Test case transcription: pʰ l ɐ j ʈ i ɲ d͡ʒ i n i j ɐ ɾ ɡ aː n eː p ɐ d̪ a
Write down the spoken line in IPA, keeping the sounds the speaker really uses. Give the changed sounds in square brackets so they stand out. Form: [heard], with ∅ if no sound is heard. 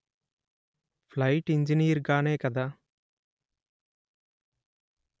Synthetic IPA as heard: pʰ l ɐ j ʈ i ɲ d͡ʒ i n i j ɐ ɾ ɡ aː n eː [k] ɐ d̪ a